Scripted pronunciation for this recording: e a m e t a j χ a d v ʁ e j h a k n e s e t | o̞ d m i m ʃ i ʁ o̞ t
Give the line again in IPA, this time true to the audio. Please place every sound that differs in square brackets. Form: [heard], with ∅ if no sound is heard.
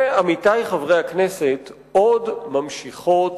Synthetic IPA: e a m [i] t a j χ a [∅] v ʁ e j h a k n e s e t | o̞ d m [a] m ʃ i [χ] o̞ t

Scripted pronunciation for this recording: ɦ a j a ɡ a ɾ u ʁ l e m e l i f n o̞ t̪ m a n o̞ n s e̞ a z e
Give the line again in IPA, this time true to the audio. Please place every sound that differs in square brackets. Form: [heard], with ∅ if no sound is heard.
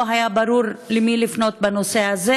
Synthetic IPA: ɦ a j a [b] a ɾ u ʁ l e m [i] l i f n o̞ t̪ [b] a n o̞ [∅] s e̞ a z e

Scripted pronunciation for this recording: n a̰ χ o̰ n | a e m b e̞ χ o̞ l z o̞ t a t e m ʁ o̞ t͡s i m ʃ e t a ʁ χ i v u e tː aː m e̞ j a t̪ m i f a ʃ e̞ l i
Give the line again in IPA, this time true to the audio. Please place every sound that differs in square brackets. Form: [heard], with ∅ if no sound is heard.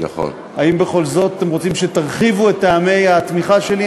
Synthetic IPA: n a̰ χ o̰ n | a [i] m b e̞ χ o̞ l z o̞ t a t e m ʁ o̞ t͡s i m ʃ e t a ʁ χ i v u e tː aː m e̞ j a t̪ m i [χ] a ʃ e̞ l i

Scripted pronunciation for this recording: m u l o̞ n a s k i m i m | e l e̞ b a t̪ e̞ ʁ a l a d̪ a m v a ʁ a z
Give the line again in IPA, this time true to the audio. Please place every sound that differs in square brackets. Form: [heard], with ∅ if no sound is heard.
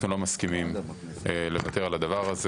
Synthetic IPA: [n] u l o̞ [m] a s k i m i m | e l e̞ [v] a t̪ e̞ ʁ a l a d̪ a [∅] v a ʁ a z

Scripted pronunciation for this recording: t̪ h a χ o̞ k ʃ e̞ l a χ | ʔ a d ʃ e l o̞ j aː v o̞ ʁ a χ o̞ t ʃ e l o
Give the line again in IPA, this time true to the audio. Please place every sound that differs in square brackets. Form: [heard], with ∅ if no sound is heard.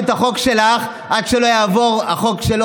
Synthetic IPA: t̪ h a χ o̞ k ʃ e̞ l a χ | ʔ a d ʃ e l o̞ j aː v o̞ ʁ a χ o̞ [k] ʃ e l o

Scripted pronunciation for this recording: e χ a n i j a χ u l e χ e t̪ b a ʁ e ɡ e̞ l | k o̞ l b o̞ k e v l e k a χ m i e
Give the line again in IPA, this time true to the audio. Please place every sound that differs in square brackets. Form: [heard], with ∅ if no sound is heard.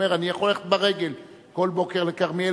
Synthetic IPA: e [ʁ] a n i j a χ [o] l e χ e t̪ b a ʁ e ɡ e̞ l | k o̞ l b o̞ k e [ʁ] l e k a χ m i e

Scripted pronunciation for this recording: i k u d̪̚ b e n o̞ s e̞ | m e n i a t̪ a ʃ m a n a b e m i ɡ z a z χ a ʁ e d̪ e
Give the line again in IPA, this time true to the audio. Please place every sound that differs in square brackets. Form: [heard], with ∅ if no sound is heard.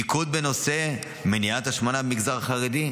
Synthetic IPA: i k u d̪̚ b e n o̞ s e̞ | m e n i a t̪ a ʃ m a n a b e m i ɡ z a [ʁ] χ a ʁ e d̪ [i]

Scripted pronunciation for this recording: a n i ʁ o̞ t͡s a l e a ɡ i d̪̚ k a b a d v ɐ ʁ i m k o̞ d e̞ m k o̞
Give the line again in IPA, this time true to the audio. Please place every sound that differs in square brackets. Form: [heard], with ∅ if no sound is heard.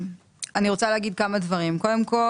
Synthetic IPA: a n i ʁ o̞ t͡s a l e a ɡ i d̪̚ k a [m] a d v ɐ ʁ i m k o̞ d e̞ m k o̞

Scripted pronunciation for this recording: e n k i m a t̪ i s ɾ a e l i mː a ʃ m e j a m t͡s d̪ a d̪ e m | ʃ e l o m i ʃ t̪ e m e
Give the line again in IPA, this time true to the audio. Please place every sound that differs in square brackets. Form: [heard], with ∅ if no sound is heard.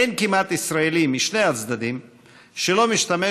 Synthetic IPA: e n k i m a t̪ i s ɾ a e l i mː [i] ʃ [n] e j a [∅] t͡s d̪ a d̪ [i] m | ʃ e l o m i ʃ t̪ [a] m e

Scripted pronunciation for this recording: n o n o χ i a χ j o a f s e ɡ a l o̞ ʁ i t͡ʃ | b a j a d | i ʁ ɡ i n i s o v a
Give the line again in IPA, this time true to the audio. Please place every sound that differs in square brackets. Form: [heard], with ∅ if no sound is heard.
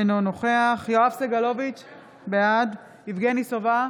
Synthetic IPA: n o n o χ [e] a χ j o a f s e ɡ a l o̞ [v] i t͡ʃ | b [e] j a d | i [v] ɡ [e] n i s o v a

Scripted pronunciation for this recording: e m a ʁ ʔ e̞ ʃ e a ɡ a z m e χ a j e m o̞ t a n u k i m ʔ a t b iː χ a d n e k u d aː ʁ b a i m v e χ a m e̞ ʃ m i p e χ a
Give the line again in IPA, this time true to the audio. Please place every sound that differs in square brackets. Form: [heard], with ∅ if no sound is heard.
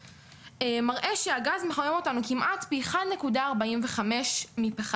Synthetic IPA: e m a ʁ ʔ e̞ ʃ e a ɡ a z m e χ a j e m o̞ t a n u k i m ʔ a t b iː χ a d n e k u d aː ʁ b a i m v e χ a m e̞ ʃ m i p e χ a

